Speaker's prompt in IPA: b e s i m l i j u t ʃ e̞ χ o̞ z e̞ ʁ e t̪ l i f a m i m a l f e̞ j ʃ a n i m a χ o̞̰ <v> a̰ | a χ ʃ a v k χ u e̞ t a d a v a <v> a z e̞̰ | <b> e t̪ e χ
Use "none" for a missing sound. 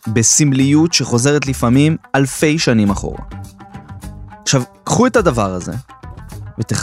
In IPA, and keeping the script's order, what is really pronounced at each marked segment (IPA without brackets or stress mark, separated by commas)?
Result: ʁ, ʁ, v